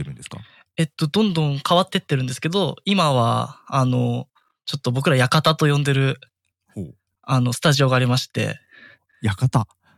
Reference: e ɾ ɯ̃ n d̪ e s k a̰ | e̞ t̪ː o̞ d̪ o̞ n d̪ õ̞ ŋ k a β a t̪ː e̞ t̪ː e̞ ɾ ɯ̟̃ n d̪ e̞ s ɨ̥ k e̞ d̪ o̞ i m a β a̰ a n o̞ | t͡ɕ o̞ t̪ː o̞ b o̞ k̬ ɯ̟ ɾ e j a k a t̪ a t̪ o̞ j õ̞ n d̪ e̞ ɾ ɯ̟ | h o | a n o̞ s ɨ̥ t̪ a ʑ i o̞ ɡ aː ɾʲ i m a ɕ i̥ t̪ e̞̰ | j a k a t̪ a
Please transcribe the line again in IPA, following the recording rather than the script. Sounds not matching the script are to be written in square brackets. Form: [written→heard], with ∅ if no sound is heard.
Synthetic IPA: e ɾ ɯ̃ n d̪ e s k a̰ | e̞ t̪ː o̞ d̪ [o̞→õ̞] n d̪ õ̞ ŋ k a β a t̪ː e̞ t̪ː e̞ ɾ ɯ̟̃ n d̪ e̞ s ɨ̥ k e̞ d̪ o̞ i m a β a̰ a n o̞ | t͡ɕ o̞ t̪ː o̞ b o̞ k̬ ɯ̟ ɾ [e→a] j a k a t̪ a t̪ o̞ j õ̞ n d̪ e̞ ɾ ɯ̟ | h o | a n o̞ s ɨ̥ t̪ a ʑ i o̞ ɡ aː ɾʲ i m a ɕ i̥ t̪ e̞̰ | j a k a t̪ a